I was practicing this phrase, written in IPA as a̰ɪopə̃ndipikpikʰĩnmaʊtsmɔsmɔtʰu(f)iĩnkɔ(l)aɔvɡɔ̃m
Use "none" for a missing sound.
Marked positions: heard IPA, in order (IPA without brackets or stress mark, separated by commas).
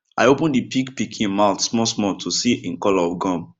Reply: s, l